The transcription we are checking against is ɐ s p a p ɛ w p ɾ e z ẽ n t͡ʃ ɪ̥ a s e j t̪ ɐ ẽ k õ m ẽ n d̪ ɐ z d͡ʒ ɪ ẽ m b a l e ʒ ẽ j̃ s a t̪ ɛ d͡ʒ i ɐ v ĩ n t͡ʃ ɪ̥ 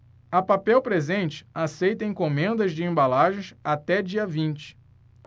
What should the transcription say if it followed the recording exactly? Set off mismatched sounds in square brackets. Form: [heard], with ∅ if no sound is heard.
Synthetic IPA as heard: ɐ [∅] p a p ɛ w p ɾ e z ẽ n t͡ʃ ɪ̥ a s e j t̪ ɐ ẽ k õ m ẽ n d̪ ɐ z d͡ʒ ɪ ẽ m b a l [a] ʒ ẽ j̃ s a t̪ ɛ d͡ʒ i ɐ v ĩ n t͡ʃ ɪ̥